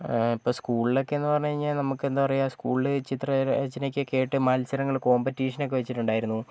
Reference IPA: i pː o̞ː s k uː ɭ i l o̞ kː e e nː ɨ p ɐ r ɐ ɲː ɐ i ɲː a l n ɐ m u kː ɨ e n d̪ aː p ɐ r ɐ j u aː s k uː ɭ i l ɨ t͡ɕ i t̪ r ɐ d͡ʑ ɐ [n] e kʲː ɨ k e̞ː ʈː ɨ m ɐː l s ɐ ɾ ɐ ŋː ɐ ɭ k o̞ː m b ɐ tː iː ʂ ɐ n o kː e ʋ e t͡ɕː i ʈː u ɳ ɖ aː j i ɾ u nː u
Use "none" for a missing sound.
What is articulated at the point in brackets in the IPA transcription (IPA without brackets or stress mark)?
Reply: n